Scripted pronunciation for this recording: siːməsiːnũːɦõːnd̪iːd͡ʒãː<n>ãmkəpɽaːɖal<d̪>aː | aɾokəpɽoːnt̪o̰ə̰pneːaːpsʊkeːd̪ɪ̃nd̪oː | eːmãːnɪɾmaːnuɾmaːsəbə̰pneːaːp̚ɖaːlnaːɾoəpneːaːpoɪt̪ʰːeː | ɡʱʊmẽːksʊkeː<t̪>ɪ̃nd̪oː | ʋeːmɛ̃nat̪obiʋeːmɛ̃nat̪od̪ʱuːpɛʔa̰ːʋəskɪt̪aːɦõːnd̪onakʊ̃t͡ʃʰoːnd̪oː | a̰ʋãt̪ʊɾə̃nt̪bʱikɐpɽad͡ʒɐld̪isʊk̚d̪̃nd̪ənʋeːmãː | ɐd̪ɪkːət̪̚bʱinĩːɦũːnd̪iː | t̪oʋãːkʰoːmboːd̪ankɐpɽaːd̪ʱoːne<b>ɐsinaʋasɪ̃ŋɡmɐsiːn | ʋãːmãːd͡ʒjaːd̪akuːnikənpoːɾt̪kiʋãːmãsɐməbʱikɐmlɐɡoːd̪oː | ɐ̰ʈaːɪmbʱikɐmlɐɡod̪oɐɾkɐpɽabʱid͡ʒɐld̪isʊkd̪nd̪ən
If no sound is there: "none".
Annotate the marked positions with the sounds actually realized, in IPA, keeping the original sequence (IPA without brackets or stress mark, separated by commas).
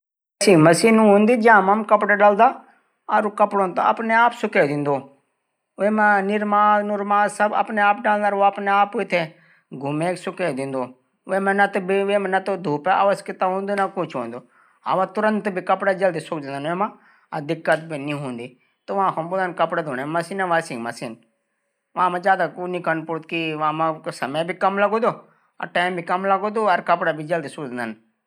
m, d̪, d̪, m